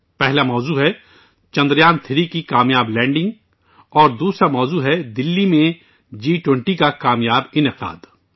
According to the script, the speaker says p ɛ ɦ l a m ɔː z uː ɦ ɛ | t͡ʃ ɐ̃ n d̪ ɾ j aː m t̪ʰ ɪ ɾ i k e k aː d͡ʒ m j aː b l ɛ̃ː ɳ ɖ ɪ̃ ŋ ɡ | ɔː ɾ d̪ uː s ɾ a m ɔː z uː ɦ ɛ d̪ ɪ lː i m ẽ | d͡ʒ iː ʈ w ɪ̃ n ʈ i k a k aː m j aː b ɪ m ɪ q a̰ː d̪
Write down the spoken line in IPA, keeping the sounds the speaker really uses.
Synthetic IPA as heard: p ɛ ɦ l a m ɔː z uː ɦ ɛ | t͡ʃ ɐ̃ n d̪ ɾ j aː n t̪ʰ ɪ ɾ i k i k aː m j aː b l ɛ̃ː ɳ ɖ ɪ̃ ŋ ɡ | ɔː ɾ d̪ uː s ɾ a m ɔː z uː ɦ ɛ d̪ ɪ lː i m ẽ | d͡ʒ iː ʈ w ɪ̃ ɳ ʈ i k a k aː m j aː b ɪ n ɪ q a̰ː d̪